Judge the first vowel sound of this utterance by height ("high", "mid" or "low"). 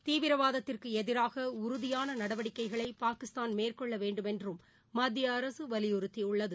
high